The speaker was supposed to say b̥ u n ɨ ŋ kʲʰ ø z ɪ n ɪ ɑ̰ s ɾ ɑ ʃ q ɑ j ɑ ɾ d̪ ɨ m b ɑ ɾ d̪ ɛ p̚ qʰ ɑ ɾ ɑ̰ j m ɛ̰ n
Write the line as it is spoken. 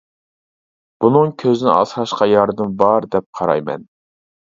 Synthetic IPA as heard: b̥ u n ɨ ŋ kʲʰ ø z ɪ n ɪ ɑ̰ s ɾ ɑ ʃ q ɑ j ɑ ɾ d̪ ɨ m b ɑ ɾ d̪ ɛ p̚ qʰ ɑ ɾ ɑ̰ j m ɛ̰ n